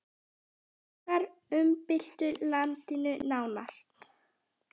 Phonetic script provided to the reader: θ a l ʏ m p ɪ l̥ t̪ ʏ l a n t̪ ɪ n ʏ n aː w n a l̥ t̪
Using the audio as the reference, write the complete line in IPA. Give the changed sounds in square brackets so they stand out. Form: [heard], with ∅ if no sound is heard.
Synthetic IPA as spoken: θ a [ɾ] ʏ m p ɪ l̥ t̪ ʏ l a n t̪ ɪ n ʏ n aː w n a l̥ t̪